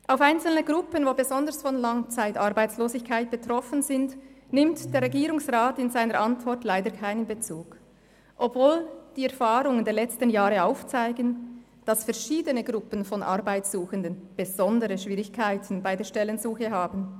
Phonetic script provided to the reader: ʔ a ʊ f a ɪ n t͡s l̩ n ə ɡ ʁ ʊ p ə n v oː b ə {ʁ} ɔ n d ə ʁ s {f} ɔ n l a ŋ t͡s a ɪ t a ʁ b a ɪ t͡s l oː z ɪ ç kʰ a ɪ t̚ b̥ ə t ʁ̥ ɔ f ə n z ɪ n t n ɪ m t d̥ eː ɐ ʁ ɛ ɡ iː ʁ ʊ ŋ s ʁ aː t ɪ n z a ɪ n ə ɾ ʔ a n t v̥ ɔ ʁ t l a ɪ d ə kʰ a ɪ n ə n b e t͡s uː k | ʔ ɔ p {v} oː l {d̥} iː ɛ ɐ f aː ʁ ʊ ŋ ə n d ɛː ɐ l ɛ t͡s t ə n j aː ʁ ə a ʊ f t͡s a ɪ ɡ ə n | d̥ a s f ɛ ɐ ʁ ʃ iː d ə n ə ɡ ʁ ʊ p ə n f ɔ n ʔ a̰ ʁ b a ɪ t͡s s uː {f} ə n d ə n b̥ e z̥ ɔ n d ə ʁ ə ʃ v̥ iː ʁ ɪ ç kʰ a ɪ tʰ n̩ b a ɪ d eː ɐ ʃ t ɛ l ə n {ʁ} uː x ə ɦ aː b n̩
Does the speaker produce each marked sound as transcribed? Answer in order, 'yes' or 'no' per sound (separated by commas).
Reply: no, yes, yes, yes, no, no